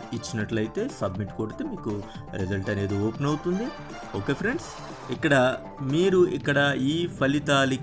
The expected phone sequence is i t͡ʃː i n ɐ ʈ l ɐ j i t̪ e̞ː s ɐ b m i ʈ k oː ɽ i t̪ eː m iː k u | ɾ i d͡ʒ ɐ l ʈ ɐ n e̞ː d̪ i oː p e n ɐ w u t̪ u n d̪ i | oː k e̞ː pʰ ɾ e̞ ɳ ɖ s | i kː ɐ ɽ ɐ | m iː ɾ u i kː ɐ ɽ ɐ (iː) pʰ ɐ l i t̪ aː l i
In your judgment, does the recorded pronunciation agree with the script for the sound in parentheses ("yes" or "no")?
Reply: yes